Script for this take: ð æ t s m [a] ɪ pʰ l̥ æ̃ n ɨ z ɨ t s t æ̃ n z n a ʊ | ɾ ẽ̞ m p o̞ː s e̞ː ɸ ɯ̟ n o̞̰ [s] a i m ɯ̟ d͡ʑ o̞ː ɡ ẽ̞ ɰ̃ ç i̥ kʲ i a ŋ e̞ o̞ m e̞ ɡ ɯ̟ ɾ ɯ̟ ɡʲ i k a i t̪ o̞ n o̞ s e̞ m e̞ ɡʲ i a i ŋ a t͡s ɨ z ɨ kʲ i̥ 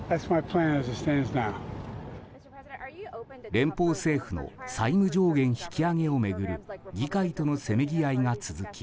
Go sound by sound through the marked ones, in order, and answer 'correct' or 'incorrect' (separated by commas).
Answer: correct, correct